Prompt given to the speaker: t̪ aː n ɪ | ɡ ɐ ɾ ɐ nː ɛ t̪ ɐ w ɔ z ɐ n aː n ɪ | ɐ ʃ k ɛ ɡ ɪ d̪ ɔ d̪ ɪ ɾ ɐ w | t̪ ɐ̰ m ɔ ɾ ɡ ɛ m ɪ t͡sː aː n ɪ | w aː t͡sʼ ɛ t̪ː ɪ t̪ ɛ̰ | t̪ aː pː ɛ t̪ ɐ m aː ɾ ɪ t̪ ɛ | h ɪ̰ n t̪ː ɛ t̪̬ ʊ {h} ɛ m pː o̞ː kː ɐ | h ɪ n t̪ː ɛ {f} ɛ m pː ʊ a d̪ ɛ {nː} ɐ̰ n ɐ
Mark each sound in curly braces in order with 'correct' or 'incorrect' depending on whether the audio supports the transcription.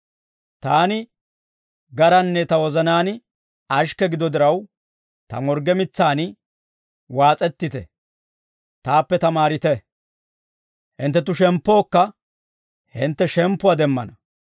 incorrect: ʃ, incorrect: ʃ, incorrect: mː

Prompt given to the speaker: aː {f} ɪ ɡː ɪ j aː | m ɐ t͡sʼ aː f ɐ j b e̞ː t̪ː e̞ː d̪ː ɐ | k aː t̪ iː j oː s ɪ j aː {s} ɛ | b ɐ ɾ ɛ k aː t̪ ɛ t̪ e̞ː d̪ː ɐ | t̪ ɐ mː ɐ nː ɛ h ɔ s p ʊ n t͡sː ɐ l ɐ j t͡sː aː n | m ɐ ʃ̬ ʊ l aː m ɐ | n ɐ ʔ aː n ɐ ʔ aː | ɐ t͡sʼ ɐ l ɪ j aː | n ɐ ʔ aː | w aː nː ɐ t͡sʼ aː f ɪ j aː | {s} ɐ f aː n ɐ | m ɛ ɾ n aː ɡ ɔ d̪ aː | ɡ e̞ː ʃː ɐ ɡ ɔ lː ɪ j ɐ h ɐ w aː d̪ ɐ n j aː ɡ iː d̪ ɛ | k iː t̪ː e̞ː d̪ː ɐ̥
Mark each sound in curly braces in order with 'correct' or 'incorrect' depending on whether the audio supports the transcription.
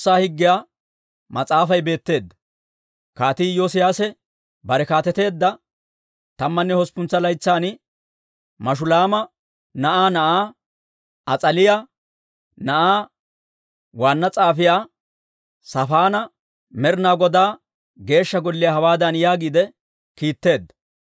incorrect: h, correct, correct

